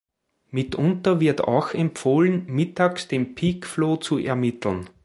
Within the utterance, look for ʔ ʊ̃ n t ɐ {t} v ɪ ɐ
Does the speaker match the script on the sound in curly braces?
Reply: no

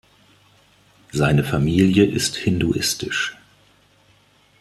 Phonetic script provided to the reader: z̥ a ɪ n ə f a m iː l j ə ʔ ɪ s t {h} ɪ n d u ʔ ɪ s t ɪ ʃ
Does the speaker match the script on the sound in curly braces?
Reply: yes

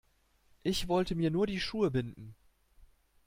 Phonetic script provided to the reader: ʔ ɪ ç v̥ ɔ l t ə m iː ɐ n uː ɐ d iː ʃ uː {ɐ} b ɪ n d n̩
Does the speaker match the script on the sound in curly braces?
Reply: no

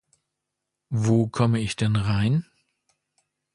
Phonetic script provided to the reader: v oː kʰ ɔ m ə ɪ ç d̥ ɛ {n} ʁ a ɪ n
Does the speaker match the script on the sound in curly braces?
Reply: yes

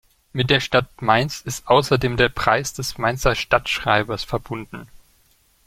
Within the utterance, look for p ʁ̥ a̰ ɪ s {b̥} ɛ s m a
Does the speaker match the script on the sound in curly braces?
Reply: no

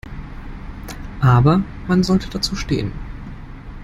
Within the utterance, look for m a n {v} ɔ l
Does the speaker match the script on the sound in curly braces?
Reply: no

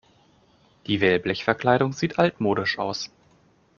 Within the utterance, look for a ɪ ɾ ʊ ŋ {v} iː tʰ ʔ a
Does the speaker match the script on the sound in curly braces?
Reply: no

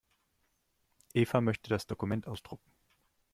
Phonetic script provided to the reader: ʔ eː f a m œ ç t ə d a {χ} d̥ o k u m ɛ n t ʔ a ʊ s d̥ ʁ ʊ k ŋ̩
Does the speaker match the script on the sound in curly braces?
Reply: no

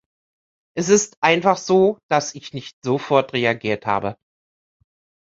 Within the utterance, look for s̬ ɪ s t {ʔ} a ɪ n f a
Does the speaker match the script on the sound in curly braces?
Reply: yes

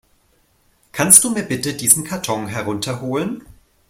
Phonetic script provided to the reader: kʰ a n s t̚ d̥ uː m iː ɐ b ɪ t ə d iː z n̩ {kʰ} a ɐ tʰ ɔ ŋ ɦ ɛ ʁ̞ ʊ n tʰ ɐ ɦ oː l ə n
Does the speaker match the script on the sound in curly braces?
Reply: yes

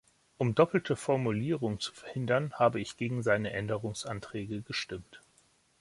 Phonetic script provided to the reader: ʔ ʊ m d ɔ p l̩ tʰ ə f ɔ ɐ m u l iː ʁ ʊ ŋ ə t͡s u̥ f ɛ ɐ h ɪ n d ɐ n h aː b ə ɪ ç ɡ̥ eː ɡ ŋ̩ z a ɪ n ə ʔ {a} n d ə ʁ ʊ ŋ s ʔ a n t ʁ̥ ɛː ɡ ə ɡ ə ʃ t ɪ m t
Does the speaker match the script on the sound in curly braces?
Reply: no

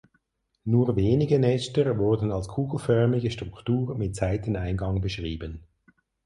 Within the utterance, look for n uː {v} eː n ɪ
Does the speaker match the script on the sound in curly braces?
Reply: yes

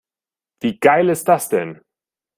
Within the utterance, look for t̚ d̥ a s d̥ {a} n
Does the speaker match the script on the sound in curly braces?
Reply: no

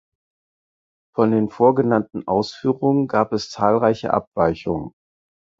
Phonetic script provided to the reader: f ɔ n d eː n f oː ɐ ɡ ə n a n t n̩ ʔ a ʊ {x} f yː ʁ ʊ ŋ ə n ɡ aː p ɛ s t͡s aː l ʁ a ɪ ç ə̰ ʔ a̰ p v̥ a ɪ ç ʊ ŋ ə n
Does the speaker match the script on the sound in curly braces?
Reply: no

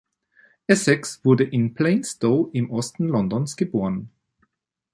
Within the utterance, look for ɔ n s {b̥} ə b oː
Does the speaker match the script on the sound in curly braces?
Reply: no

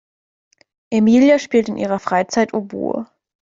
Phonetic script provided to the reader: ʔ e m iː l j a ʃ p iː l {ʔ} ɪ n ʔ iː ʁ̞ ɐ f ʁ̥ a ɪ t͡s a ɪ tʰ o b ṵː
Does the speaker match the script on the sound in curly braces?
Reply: no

